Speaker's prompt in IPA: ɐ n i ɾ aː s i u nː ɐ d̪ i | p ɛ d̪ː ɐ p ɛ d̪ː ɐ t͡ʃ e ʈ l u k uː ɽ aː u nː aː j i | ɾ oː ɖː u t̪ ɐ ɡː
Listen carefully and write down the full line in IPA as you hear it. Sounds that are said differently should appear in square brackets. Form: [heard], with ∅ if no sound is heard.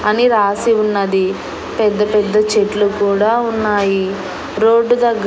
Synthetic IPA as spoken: ɐ n i ɾ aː s i u nː ɐ d̪ i | p ɛ d̪ː ɐ p ɛ d̪ː ɐ t͡ʃ e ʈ l u k uː ɽ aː u nː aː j i | ɾ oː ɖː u [d̪] ɐ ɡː